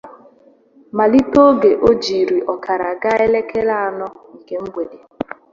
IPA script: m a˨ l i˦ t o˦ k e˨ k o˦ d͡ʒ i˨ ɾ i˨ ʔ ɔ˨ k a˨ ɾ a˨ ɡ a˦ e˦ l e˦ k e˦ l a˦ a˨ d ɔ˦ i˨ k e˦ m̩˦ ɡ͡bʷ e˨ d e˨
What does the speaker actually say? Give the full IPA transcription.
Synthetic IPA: m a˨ l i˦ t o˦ ɡ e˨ ʔ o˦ d͡ʒ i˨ ɾ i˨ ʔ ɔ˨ k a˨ ɾ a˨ ɡ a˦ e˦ l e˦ k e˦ l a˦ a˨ n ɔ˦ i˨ k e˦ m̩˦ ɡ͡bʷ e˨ d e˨